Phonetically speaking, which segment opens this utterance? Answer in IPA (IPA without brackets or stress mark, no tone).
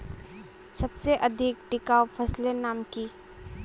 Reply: s